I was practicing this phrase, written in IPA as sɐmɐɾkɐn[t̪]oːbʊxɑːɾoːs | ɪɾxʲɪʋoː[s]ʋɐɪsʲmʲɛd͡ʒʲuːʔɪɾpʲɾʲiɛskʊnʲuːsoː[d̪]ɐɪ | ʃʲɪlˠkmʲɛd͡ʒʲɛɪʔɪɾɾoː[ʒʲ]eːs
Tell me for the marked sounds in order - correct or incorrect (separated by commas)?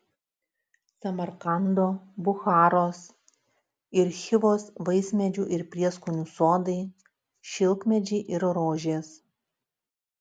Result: incorrect, correct, correct, correct